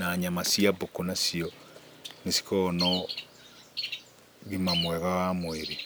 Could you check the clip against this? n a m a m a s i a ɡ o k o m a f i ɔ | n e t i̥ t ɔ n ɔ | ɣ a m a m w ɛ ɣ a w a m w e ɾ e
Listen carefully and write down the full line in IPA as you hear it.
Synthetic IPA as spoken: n a ɲ a m a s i a b o k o n a s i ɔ | n e s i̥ k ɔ n ɔ | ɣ i m a m w ɛ ɣ a w a m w e ɾ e